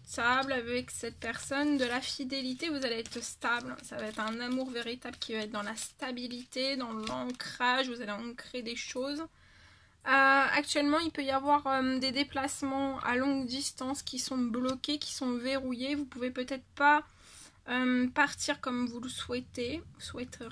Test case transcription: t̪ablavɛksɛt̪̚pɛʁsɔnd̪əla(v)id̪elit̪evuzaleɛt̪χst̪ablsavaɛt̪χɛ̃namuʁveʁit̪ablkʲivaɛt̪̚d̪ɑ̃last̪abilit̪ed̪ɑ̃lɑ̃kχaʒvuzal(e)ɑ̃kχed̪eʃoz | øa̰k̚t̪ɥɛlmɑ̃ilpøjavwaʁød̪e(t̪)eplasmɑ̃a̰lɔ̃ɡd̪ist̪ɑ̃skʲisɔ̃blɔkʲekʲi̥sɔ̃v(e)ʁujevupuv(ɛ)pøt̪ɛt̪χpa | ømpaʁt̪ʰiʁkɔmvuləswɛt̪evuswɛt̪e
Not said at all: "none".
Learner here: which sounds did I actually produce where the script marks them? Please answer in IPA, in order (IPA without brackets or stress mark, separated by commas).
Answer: f, e, d̪, e, e